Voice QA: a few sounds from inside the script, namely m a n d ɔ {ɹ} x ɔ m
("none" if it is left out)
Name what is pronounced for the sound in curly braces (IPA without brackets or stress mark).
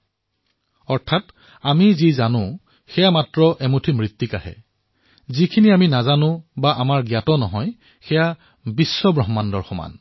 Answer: ɹ